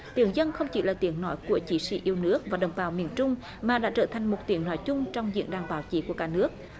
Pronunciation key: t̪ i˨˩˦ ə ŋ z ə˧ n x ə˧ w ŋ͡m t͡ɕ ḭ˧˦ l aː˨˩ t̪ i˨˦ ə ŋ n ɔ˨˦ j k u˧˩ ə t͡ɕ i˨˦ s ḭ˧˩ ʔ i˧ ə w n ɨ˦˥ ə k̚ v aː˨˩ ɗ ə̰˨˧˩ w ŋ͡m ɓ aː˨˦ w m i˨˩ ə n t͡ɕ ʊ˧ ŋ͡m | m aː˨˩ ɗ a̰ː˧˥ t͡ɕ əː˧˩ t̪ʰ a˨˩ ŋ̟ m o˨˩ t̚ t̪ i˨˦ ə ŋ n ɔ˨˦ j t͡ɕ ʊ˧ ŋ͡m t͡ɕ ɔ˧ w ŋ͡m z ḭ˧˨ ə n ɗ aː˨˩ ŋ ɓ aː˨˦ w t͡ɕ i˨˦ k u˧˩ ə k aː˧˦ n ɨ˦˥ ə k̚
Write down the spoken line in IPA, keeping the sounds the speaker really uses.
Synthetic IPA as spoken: t̪ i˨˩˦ ə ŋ z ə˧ n x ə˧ w ŋ͡m t͡ɕ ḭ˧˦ l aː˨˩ t̪ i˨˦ ə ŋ n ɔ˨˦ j k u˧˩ ə t͡ɕ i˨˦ s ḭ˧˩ ʔ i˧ ə w n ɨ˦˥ ə k̚ v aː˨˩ ɗ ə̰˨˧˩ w ŋ͡m ɓ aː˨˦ w m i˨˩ ə n t͡ɕ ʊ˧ ŋ͡m | m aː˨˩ ɗ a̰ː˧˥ t͡ɕ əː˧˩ t̪ʰ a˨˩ ŋ̟ m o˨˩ t̚ t̪ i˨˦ ə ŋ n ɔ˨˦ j t͡ɕ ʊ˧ ŋ͡m t͡ɕ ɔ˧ w ŋ͡m z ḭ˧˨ ə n ɗ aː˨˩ ŋ ɓ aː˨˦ w t͡ɕ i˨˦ k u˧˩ ə k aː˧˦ n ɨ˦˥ ə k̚